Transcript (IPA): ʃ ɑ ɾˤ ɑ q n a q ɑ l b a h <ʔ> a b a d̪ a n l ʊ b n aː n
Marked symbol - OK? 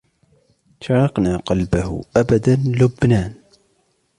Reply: yes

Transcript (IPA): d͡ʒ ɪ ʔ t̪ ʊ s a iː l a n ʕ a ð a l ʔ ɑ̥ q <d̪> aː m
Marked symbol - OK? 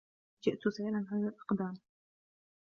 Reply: yes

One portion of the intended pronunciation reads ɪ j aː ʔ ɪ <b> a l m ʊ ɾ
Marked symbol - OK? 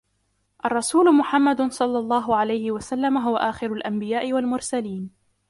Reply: no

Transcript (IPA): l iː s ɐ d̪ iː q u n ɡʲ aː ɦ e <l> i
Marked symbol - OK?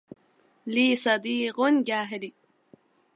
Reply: yes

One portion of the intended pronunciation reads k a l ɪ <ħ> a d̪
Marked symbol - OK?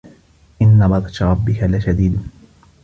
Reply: no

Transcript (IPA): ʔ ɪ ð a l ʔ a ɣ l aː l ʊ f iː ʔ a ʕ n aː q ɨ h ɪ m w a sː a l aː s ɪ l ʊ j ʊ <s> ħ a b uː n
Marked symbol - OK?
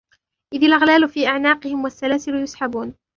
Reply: yes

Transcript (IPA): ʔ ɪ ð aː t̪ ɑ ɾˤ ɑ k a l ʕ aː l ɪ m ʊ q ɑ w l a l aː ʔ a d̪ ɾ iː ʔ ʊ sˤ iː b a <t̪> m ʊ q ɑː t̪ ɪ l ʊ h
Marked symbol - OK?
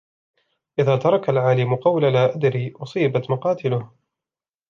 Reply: yes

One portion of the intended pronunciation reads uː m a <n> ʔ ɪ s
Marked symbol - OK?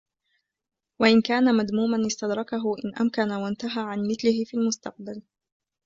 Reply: yes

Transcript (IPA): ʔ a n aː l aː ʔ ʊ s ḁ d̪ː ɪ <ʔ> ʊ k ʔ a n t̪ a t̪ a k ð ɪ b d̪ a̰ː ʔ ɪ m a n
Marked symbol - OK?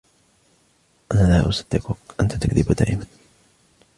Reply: no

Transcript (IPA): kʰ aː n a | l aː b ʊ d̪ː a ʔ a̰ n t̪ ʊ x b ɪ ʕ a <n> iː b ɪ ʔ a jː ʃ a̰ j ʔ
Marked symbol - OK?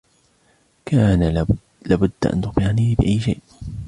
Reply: yes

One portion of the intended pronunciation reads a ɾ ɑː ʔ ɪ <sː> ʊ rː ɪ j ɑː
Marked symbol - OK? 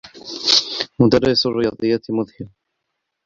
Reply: no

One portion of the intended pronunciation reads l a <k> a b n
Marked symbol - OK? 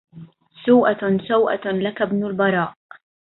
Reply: yes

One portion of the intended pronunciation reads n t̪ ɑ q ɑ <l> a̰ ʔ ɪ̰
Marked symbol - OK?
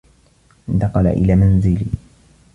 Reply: yes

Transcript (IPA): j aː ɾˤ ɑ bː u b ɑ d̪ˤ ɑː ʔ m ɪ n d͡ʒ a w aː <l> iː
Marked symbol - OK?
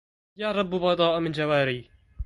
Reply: no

